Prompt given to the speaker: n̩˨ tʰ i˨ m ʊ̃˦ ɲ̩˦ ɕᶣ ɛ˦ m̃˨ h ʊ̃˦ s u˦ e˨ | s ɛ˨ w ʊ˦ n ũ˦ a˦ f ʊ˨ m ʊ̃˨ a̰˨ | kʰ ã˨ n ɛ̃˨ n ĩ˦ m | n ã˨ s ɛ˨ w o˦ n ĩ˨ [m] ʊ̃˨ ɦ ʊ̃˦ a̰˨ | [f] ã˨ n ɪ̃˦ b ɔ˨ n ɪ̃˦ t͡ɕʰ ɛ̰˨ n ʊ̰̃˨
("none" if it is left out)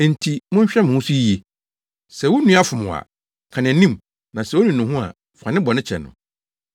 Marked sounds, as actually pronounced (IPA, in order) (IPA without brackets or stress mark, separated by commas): n, f